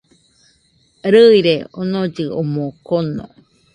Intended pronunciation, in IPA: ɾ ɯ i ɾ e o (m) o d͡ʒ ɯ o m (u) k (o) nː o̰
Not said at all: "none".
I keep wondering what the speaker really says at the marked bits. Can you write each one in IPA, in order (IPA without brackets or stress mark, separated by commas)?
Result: n, o, o